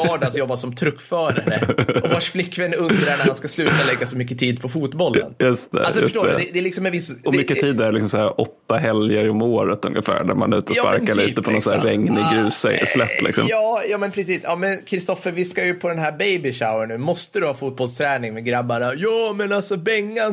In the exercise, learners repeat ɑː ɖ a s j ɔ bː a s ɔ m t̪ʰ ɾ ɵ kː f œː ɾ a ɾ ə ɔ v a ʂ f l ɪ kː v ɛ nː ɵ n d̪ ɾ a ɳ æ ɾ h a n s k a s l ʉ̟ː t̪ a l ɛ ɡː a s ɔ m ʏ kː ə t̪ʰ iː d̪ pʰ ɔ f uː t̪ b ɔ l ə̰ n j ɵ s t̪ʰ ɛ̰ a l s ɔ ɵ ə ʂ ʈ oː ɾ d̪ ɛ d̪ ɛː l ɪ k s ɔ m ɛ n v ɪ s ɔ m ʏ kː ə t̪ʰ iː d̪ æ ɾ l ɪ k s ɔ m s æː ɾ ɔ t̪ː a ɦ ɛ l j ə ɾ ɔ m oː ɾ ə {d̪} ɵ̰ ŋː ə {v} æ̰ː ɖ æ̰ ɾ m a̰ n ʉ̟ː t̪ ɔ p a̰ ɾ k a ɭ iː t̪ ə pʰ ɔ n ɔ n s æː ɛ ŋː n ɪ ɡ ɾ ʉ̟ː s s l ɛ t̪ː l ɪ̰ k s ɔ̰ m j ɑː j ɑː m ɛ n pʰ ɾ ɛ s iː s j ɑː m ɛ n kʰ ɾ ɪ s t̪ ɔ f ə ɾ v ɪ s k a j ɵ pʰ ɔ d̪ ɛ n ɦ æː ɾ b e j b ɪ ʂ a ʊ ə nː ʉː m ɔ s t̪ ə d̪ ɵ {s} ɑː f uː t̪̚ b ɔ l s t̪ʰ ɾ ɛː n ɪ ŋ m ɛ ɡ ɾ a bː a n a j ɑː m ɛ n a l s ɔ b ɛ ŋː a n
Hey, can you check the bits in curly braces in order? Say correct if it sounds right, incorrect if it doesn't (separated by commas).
incorrect, incorrect, incorrect